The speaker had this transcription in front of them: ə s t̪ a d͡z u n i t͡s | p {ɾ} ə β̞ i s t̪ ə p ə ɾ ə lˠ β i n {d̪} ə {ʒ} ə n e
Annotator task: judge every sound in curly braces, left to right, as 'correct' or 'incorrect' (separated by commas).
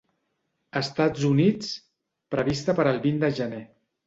correct, correct, correct